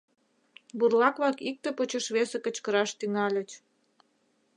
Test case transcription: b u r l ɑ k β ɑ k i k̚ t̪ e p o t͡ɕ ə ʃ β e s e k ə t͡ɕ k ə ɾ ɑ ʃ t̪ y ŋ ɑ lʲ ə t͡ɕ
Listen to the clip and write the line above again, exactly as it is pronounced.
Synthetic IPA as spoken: b u r l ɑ k β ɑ k i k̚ t̪ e p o t͡ɕ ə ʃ β e s e k ə t͡ɕ k ə ɾ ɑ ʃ t̪ y ŋ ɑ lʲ ə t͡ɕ